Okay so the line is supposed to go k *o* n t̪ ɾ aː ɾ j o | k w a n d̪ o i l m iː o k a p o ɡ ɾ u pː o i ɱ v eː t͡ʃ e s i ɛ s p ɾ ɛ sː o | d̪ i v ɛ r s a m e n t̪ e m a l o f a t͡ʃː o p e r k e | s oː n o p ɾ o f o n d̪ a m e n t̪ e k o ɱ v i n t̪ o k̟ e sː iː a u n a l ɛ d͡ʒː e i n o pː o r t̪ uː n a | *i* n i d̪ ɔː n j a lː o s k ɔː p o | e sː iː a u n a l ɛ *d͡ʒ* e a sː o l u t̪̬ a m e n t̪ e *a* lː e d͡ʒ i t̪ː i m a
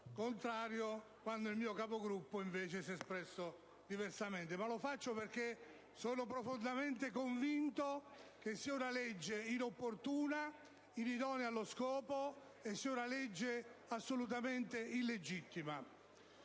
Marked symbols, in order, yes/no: yes, yes, no, no

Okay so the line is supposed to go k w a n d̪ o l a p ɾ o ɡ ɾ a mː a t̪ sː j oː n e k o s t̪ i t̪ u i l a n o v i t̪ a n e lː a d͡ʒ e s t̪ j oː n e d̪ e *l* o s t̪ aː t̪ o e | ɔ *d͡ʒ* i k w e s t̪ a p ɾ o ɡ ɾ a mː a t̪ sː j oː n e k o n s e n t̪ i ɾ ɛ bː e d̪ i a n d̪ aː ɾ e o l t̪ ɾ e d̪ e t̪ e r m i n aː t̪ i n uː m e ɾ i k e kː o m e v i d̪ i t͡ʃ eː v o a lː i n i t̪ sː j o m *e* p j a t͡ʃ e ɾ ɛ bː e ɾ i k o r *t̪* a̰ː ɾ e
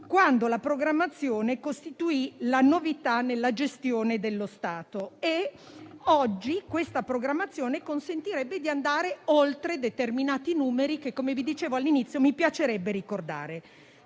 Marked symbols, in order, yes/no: no, no, no, no

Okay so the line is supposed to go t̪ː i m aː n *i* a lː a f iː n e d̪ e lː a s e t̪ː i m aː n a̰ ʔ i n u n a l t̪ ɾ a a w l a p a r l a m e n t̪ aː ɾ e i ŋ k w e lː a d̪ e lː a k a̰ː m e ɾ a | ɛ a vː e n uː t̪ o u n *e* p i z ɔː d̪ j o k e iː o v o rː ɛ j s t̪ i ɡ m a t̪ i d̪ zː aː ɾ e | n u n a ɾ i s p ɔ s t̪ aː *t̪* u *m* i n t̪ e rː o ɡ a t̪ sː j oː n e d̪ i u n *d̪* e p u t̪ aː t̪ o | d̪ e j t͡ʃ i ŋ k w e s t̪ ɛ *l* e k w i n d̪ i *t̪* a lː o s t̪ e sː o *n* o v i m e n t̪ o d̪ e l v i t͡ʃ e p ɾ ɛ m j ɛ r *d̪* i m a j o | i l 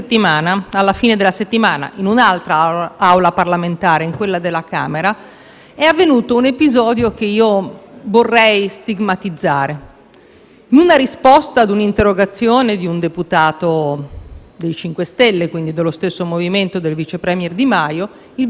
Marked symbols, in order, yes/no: no, yes, no, no, yes, no, no, no, yes

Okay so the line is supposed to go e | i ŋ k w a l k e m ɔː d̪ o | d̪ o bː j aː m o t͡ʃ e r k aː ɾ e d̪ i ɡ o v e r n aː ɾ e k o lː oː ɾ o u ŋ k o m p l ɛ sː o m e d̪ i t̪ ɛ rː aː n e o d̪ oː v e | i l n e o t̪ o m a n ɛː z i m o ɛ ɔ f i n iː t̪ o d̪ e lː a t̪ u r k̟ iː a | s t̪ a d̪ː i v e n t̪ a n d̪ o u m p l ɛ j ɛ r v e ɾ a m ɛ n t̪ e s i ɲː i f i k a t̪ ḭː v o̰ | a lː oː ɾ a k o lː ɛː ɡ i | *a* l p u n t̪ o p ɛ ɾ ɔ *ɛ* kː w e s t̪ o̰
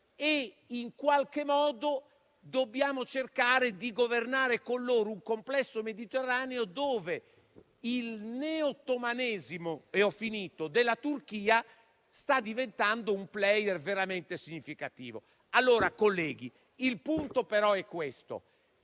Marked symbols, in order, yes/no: no, yes

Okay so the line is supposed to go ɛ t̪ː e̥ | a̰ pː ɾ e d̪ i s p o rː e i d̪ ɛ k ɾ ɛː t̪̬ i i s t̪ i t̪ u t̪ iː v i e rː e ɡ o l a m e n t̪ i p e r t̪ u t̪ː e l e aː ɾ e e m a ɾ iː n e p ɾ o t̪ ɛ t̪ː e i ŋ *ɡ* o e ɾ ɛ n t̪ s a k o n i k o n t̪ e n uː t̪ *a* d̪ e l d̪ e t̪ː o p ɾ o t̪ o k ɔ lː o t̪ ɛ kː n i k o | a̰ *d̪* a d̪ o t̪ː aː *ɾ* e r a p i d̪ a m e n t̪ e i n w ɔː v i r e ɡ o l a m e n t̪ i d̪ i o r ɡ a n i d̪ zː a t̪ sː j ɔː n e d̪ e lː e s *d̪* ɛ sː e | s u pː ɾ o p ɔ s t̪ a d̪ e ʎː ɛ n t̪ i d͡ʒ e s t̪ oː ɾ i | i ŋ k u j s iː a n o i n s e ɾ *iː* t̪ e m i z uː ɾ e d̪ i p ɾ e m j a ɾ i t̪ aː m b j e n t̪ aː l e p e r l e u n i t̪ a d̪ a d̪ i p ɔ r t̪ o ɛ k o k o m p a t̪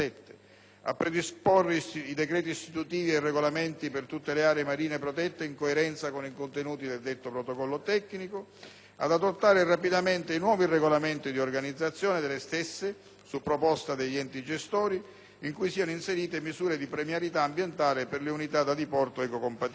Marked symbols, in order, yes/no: no, no, yes, yes, no, yes

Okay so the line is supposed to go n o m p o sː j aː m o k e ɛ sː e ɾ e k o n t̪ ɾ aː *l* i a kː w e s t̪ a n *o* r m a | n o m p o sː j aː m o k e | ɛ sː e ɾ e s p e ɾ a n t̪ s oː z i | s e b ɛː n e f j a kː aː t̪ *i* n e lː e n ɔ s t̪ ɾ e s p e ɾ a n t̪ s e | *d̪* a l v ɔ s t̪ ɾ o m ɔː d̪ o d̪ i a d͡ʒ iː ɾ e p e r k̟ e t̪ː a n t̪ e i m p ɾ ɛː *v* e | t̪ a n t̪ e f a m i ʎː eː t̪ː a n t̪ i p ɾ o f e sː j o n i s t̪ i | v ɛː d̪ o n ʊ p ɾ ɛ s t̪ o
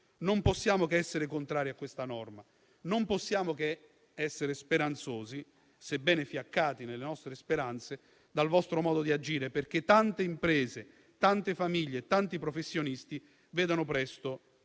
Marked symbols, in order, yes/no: no, no, yes, yes, no

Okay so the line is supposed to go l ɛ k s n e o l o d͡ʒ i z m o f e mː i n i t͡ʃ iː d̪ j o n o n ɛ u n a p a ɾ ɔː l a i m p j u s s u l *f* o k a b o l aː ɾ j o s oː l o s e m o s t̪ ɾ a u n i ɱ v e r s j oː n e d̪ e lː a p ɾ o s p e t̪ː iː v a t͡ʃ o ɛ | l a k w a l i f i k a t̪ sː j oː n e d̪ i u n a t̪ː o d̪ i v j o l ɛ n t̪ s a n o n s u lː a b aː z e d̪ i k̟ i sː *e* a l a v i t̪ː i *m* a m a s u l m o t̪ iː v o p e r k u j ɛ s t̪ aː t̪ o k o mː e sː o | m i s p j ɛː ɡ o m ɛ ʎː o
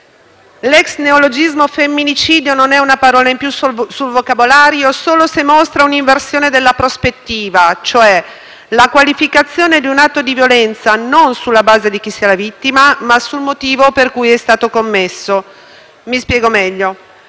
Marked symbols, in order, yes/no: no, no, yes

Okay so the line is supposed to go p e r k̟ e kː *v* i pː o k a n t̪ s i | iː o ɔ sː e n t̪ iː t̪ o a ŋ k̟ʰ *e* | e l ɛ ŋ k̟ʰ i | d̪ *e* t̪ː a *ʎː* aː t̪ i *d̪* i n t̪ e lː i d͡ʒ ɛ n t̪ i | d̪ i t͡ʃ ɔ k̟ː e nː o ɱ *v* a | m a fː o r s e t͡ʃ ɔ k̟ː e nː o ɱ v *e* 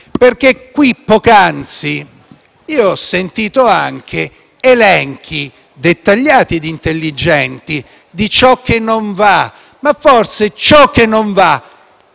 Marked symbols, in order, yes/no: no, yes, yes, yes, yes, yes, no

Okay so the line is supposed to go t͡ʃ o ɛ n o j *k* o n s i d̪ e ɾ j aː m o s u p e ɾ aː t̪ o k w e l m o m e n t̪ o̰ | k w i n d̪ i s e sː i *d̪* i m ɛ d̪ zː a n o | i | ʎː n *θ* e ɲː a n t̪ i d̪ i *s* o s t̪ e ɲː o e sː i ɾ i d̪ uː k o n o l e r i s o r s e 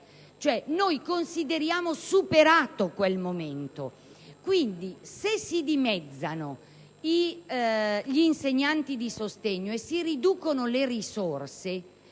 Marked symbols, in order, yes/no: yes, yes, no, yes

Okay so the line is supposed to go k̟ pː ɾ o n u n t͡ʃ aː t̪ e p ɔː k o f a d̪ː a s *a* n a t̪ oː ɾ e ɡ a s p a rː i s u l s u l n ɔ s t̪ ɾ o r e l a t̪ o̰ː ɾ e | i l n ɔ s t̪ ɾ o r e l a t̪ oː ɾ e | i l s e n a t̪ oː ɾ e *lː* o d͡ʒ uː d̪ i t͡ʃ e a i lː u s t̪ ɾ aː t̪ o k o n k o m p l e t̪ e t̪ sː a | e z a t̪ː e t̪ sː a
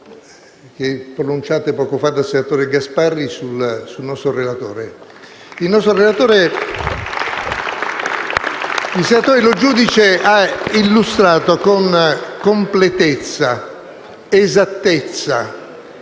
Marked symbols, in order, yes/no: no, no

